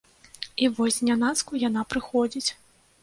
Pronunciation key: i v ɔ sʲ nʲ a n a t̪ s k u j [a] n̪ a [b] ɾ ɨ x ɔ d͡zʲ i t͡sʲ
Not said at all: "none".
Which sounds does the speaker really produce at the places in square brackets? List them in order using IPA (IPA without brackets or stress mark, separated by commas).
a, p